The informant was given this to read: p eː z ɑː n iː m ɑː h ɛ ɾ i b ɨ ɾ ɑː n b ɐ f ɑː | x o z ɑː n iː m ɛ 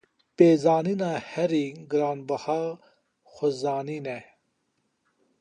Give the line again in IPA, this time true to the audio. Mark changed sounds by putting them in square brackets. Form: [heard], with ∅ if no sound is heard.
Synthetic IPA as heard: p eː z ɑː n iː [n] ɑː h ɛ ɾ i [ɡ] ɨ ɾ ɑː n b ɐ [h] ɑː | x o z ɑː n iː [n] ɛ